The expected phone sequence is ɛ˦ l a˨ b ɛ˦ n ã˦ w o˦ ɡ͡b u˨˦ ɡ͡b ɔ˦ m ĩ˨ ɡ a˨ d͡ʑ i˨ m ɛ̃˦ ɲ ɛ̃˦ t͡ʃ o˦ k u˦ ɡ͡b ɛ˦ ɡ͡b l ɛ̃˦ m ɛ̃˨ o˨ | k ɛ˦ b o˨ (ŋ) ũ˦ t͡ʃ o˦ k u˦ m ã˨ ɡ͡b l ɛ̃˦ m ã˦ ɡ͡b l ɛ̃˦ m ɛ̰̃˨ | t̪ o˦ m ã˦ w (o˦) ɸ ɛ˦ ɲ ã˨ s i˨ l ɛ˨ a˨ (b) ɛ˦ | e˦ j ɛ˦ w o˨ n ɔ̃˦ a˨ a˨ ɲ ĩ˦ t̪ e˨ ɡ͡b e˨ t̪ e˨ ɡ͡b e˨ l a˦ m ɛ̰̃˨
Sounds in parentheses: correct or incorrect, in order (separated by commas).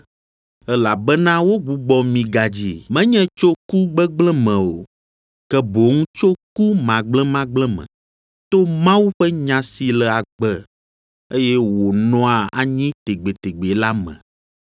correct, incorrect, incorrect